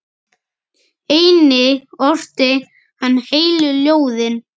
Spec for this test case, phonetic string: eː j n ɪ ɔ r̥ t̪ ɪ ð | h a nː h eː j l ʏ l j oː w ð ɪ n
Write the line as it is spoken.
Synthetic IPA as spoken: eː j n ɪ ɔ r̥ t̪ ɪ | h a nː h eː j l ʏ l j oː w ð ɪ n